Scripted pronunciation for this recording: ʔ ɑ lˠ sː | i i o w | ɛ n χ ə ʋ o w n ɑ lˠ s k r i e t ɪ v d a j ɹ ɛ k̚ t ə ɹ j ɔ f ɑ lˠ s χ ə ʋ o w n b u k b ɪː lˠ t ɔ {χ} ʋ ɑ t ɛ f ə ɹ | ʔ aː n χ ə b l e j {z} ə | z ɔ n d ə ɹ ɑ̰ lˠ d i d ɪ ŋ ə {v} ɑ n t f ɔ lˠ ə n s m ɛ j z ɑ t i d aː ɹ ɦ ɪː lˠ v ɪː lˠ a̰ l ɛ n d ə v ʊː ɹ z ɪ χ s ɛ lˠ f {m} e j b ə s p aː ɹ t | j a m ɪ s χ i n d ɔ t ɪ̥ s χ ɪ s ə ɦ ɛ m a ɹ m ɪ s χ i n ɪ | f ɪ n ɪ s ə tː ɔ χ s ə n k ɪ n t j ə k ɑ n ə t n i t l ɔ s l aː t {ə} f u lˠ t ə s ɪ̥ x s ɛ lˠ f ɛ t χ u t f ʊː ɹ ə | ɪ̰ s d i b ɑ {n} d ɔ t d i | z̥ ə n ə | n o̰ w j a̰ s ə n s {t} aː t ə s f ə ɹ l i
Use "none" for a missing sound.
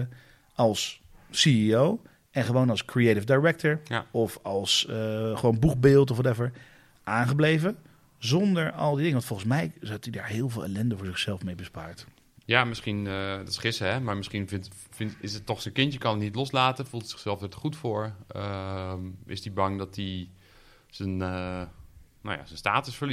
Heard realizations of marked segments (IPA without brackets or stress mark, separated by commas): f, v, ʋ, m, ə, ŋ, t